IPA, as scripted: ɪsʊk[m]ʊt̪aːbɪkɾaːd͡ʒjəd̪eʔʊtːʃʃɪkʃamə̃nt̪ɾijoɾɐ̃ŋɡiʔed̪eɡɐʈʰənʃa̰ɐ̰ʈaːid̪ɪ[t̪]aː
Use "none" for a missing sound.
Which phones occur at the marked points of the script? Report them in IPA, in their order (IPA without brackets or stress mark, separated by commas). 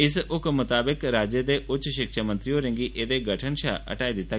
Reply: m, t̪